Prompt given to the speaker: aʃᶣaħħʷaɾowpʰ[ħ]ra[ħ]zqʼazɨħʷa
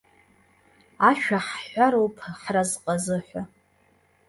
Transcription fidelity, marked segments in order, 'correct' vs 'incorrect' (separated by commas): correct, incorrect